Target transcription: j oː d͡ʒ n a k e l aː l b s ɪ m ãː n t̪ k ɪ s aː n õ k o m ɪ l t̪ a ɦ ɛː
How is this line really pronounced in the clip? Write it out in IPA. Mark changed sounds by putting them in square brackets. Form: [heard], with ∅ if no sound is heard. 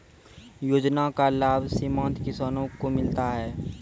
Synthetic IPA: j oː d͡ʒ n a k [a] l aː [∅] b s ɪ m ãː n t̪ k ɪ s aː n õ k o m ɪ l t̪ a ɦ ɛː